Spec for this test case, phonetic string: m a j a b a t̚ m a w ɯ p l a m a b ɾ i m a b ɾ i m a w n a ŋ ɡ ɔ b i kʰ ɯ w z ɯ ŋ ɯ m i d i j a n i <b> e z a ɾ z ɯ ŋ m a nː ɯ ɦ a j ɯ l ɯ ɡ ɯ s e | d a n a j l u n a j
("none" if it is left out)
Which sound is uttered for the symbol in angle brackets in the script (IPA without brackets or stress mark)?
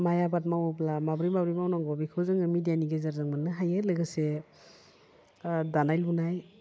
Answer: ɡ